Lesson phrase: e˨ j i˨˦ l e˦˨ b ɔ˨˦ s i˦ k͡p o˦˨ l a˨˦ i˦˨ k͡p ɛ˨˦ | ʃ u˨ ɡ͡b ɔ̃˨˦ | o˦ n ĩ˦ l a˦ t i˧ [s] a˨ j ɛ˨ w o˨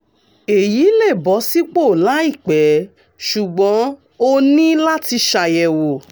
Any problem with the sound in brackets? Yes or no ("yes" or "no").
yes